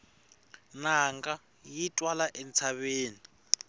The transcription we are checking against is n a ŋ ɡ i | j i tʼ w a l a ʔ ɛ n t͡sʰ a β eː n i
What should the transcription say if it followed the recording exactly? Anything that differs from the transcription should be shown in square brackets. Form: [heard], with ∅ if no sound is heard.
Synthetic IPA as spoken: n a ŋ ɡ [a] | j i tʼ w a l a ʔ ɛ n t͡sʰ a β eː n i